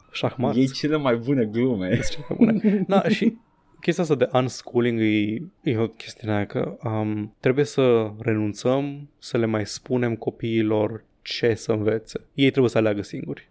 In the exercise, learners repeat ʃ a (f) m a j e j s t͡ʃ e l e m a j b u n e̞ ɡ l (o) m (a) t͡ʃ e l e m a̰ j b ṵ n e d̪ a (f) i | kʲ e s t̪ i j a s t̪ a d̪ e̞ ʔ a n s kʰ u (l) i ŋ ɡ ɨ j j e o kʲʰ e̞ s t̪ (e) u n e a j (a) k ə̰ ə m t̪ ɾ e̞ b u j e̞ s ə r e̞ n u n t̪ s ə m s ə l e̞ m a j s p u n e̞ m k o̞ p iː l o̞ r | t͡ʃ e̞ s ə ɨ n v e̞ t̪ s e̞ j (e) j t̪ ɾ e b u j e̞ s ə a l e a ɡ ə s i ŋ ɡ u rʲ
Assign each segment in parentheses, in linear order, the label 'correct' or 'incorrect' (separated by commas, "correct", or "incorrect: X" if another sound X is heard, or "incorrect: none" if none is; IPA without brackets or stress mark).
incorrect: x, incorrect: u, incorrect: e, incorrect: ʃ, correct, incorrect: i, correct, correct